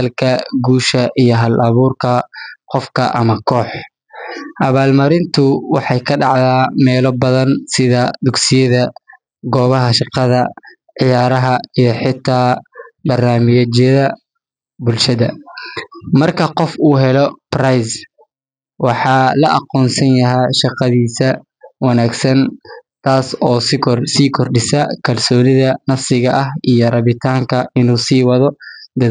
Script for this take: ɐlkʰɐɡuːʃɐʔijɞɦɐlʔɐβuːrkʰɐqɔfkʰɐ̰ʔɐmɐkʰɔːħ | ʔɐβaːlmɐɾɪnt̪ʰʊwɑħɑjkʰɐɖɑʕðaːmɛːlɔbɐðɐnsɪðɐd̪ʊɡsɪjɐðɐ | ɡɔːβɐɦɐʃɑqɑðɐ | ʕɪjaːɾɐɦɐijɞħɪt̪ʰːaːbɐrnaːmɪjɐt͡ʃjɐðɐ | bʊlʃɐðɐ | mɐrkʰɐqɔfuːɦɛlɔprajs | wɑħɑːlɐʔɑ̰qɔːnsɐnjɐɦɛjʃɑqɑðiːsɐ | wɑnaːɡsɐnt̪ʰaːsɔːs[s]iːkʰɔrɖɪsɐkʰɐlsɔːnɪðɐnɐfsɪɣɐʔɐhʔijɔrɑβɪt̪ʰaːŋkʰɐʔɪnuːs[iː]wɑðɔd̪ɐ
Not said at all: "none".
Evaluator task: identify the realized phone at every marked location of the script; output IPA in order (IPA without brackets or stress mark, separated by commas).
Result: s, iː